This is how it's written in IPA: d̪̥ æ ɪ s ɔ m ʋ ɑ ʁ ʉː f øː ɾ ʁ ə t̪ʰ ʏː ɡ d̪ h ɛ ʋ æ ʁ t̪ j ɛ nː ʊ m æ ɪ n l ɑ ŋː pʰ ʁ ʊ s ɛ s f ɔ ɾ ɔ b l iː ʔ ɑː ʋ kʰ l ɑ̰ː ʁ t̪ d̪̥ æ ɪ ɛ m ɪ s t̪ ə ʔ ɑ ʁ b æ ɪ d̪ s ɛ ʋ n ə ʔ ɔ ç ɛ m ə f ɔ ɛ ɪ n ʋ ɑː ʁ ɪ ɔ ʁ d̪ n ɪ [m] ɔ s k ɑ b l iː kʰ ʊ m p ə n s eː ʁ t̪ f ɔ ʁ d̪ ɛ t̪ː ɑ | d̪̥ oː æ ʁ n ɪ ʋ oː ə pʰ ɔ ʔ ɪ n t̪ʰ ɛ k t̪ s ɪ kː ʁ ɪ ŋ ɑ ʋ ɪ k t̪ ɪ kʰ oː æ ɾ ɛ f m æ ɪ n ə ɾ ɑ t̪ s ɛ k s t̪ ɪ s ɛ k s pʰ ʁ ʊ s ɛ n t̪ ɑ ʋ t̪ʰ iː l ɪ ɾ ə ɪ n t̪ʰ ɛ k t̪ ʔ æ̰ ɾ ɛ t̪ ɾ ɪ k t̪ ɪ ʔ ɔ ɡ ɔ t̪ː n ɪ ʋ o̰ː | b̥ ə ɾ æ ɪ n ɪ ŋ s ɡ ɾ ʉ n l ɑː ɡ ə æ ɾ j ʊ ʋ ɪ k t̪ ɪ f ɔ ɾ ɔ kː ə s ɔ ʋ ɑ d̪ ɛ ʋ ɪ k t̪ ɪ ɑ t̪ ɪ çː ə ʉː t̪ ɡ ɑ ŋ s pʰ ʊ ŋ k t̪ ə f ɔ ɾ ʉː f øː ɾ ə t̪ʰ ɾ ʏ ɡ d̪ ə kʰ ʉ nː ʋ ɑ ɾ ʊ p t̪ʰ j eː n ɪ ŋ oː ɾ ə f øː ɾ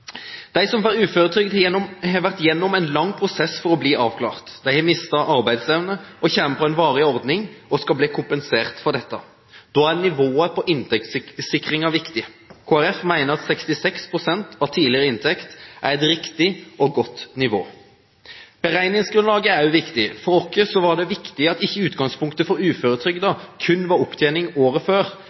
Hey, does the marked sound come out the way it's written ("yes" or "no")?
no